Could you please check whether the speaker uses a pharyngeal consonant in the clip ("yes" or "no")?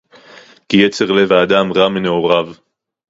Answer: no